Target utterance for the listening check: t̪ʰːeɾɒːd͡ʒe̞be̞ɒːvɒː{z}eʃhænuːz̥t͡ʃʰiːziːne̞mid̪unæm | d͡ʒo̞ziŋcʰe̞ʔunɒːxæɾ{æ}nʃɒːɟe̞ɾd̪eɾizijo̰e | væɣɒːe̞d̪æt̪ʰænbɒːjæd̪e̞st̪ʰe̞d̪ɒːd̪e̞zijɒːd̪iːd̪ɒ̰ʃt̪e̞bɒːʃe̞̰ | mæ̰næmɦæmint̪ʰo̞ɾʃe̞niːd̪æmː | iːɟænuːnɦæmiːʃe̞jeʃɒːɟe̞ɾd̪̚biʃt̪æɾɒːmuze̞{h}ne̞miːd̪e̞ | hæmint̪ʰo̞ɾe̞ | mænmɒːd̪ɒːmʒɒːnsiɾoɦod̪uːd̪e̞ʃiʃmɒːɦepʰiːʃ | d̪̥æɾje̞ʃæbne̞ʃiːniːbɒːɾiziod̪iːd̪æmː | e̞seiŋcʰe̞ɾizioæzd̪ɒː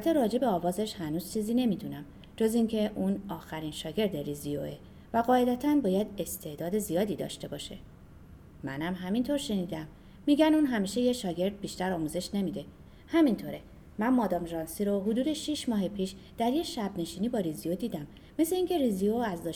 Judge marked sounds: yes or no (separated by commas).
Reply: yes, no, no